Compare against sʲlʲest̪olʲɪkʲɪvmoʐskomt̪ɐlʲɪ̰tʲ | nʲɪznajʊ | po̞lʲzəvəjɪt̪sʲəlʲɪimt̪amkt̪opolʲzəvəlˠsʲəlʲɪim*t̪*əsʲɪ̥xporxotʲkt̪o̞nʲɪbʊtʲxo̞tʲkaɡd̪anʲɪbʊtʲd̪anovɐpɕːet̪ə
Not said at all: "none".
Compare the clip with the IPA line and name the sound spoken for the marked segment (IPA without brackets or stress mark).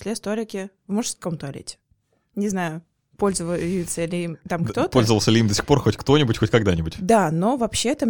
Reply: d̪